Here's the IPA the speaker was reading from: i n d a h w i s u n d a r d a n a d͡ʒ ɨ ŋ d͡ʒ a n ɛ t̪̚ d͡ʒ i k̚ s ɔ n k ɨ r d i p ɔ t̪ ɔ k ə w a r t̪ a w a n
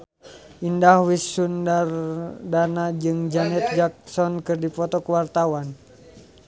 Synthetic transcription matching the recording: i n d a h w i s u n d a r d a n a d͡ʒ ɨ ŋ d͡ʒ a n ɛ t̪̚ d͡ʒ a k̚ s ɔ n k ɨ r d i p ɔ t̪ ɔ k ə w a r t̪ a w a n